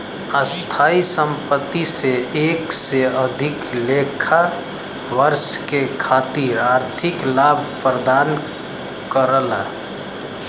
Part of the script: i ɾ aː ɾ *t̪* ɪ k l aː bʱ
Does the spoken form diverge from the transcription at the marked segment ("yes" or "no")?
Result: yes